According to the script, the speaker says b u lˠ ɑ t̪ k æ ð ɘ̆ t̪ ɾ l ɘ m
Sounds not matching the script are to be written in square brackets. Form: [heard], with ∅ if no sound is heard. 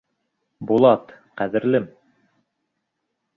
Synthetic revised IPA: b u lˠ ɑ t̪ [q] æ ð ɘ̆ [∅] ɾ l ɘ m